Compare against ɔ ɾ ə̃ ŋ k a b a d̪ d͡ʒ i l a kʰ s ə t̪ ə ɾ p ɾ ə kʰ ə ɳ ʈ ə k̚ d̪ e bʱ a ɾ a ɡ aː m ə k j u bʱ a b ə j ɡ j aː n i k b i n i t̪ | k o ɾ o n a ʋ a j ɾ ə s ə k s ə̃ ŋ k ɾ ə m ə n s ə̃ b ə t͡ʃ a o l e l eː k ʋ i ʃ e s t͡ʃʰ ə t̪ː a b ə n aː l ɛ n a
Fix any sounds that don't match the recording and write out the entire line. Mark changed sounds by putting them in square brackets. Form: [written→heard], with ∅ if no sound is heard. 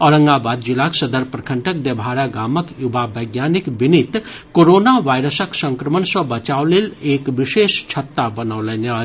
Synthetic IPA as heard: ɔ ɾ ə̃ ŋ [k→ɡ] a b a d̪ d͡ʒ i l a [kʰ→k] s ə [t̪→d̪] ə ɾ p ɾ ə kʰ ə ɳ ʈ ə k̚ d̪ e bʱ a ɾ a ɡ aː m ə k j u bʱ a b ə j ɡ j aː n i k b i n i t̪ | k o ɾ o n a ʋ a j ɾ ə s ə k s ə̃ ŋ k ɾ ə m ə n s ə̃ b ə t͡ʃ a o l e l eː k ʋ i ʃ e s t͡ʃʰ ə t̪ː a b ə n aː l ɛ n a